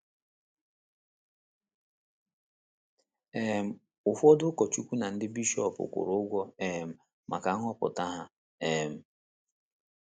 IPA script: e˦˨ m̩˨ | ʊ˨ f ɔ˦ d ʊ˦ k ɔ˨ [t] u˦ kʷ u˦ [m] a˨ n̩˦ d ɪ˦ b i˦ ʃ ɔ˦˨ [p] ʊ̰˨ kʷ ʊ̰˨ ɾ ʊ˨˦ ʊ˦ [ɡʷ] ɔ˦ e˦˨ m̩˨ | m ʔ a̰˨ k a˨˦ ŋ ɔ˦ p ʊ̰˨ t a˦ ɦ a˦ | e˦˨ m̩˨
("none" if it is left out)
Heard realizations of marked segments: t͡ʃ, n, p, ɡʷ

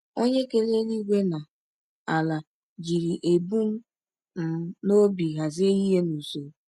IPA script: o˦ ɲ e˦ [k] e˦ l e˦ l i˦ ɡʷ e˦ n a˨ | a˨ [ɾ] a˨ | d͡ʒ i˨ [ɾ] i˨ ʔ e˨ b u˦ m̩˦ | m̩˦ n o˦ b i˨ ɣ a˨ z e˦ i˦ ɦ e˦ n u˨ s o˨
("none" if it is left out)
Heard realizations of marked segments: k, l, ɾ

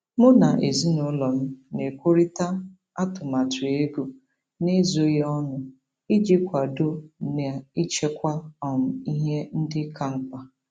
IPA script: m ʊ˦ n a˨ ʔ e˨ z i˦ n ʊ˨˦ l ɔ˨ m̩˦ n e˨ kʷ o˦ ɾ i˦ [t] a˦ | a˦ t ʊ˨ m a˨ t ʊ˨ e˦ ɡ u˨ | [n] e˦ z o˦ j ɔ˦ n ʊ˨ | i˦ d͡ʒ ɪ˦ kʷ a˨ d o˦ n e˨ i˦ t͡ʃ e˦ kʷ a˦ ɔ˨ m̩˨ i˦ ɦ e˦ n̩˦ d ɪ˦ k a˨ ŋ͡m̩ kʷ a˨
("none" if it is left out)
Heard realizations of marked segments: t, n

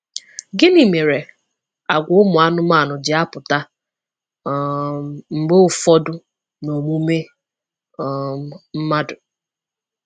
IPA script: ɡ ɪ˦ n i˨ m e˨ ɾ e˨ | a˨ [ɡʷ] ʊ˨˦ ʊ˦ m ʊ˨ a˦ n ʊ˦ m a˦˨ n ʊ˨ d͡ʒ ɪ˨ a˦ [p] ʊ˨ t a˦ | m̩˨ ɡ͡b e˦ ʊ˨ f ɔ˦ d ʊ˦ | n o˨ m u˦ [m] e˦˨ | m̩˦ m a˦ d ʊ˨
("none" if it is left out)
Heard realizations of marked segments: ɡʷ, p, m

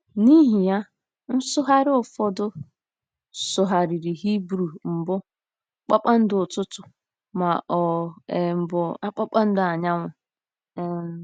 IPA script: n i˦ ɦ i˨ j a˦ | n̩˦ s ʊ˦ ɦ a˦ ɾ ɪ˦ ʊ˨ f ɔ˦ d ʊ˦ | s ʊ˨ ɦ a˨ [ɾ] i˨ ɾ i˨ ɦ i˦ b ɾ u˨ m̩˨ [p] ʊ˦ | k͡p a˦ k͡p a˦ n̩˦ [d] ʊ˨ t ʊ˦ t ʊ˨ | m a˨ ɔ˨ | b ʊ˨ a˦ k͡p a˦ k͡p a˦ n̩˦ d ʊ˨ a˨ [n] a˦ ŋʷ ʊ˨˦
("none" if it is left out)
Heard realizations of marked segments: ɾ, b, d, ɲ

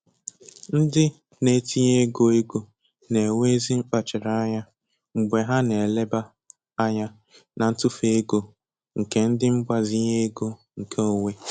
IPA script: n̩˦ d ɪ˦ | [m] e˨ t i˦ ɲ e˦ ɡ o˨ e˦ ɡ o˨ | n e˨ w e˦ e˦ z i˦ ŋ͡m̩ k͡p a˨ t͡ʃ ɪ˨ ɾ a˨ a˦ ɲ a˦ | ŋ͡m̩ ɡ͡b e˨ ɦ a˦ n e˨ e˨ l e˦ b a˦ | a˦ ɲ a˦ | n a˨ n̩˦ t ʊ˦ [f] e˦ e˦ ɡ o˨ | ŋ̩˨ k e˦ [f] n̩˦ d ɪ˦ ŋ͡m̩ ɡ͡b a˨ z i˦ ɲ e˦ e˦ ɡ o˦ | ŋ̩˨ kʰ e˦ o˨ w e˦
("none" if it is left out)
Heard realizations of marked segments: n, f, none

